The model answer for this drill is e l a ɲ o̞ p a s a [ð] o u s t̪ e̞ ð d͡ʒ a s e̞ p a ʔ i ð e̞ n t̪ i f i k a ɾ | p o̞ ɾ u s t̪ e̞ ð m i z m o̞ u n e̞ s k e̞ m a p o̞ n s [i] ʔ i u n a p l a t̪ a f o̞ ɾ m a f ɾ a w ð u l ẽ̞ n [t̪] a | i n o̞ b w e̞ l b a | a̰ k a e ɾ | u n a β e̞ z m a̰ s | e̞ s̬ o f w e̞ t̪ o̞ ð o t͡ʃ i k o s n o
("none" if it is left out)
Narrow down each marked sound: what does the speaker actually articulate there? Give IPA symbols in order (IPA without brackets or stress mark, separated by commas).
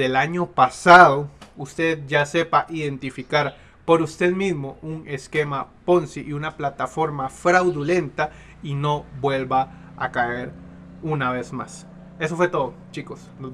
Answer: ð, i, t̪